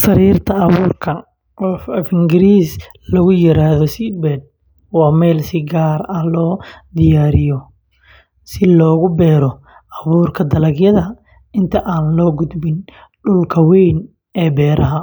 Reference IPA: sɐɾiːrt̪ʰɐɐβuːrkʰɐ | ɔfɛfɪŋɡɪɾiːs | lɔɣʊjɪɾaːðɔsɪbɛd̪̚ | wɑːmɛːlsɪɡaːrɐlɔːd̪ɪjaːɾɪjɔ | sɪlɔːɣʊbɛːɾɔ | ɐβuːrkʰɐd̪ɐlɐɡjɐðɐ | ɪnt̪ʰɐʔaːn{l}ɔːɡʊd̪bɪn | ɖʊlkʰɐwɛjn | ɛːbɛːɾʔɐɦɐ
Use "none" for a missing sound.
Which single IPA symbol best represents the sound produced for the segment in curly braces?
l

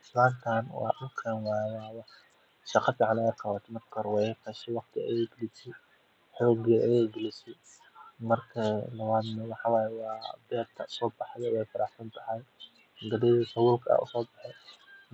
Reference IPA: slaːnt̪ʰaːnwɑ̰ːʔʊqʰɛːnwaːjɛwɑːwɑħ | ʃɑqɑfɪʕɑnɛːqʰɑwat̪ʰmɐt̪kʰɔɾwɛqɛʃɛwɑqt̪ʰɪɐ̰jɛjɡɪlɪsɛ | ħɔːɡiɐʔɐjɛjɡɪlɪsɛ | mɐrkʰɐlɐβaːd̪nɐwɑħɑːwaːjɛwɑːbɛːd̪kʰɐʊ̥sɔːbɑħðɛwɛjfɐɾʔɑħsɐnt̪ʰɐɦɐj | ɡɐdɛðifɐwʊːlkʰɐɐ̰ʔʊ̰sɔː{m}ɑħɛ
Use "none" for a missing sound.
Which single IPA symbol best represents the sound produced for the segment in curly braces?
b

